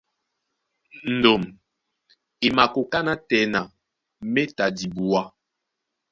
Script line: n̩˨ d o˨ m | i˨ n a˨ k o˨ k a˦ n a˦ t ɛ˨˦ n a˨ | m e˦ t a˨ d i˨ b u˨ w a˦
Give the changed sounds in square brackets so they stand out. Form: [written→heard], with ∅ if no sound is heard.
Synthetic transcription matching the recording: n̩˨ d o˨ m | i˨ [n→m] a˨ k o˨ k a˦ n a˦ t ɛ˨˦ n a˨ | m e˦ t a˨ d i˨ b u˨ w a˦

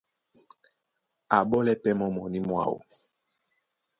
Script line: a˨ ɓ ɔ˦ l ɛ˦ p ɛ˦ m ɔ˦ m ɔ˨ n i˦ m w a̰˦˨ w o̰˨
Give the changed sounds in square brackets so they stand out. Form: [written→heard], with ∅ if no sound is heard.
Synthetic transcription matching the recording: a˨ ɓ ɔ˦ l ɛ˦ p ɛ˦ m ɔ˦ m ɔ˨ n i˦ m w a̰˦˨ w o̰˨

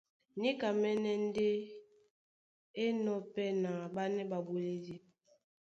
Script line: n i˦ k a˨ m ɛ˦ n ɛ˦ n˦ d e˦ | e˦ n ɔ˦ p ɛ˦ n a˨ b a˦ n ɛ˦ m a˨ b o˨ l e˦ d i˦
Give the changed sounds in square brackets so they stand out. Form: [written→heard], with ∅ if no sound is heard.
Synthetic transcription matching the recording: n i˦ k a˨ m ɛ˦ n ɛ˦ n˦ d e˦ | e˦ n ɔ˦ p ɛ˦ n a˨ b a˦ n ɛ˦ [m→b] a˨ b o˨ l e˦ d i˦

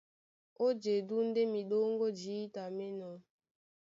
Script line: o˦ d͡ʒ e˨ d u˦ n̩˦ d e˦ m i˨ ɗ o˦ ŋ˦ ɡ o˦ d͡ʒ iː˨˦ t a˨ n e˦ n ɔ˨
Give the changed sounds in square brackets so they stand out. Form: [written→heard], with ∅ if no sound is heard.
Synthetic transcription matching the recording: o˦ d͡ʒ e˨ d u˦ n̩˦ d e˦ m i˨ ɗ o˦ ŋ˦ ɡ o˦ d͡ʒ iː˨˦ t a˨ [n→m] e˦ n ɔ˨

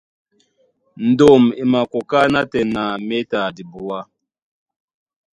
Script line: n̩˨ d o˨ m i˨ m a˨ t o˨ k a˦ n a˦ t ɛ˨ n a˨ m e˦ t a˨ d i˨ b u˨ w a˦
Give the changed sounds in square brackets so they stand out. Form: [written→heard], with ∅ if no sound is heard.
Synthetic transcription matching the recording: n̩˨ d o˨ m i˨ m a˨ [t→k] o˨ k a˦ n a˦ t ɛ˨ n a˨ m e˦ t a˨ d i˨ b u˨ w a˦

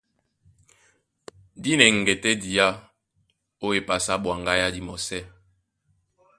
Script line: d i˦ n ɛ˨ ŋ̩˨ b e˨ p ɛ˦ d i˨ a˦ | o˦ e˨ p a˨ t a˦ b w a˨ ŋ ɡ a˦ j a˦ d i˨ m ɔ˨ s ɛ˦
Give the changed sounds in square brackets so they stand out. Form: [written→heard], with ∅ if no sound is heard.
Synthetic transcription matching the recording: d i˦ n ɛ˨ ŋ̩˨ [b→ɡ] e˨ [p→t] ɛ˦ d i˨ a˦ | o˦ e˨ p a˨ [t→s] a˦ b w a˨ ŋ ɡ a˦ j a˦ d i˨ m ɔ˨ s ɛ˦

